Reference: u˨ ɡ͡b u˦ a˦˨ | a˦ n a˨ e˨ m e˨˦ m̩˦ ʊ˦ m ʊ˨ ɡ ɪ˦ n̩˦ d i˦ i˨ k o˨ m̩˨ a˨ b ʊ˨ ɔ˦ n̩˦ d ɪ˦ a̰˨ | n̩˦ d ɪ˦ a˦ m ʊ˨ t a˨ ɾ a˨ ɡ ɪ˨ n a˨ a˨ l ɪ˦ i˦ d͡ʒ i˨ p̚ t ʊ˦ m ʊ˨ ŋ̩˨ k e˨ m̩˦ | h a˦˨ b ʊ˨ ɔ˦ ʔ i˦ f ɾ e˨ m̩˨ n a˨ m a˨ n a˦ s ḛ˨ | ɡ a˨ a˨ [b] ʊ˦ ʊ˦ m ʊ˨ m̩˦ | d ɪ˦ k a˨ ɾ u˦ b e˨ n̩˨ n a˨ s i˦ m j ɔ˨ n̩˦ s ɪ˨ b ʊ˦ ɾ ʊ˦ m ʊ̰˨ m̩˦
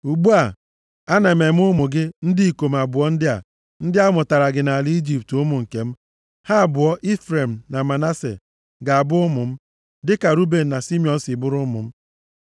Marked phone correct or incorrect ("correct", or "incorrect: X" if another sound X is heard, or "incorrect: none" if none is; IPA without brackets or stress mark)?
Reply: correct